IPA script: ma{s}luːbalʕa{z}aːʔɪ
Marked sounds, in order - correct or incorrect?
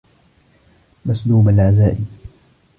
correct, correct

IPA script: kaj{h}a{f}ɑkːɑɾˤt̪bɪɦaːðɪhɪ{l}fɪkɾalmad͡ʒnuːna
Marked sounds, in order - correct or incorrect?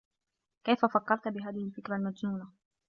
incorrect: f, correct, correct

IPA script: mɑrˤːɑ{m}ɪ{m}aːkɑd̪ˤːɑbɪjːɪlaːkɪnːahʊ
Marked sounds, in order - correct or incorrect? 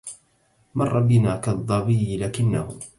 incorrect: b, incorrect: n

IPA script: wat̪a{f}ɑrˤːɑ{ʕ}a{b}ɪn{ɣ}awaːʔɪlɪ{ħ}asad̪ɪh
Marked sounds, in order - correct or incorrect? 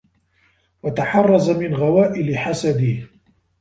incorrect: ħ, incorrect: z, incorrect: m, correct, correct

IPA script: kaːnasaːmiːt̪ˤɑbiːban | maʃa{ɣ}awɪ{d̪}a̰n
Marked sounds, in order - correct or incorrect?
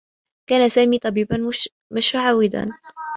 incorrect: ʕ, correct

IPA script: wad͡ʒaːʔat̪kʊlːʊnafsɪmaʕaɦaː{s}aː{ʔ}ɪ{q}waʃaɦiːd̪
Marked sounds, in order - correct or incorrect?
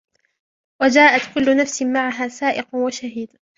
correct, correct, correct

